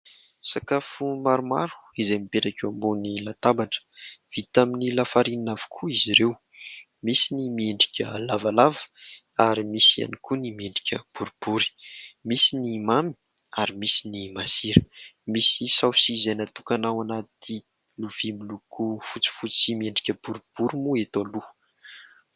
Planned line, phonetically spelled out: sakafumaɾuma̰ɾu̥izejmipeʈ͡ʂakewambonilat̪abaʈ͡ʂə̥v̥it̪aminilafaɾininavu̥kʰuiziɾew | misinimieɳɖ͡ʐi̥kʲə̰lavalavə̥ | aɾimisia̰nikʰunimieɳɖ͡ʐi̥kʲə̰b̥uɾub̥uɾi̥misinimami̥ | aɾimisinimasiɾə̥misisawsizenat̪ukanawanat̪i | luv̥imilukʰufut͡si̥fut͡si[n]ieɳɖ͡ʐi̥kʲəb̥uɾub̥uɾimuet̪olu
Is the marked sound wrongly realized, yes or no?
yes